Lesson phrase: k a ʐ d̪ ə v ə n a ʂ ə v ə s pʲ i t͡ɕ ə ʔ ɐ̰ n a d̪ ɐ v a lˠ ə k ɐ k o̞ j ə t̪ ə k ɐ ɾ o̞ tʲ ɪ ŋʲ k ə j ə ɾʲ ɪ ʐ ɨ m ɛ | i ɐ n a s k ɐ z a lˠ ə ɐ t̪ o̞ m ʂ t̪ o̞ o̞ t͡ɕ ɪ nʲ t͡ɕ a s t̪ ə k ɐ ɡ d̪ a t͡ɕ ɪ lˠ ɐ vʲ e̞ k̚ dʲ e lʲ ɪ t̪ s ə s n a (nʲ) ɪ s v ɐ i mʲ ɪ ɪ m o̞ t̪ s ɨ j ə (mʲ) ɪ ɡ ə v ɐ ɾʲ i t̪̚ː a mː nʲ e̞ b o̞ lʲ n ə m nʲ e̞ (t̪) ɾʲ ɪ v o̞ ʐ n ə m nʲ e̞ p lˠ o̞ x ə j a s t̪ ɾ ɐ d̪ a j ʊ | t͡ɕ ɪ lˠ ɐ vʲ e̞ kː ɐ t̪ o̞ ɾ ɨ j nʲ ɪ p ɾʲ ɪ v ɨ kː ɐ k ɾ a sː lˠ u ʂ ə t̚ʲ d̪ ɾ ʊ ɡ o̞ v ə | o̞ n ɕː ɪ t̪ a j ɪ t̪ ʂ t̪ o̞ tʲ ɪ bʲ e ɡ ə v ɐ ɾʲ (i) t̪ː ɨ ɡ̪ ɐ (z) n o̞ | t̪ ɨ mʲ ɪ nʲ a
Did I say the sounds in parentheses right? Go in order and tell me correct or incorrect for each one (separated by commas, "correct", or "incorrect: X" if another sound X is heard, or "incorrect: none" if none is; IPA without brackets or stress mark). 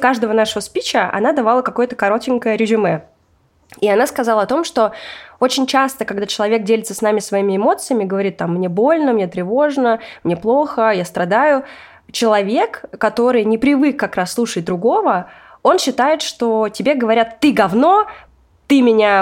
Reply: incorrect: mʲ, correct, correct, incorrect: a, incorrect: v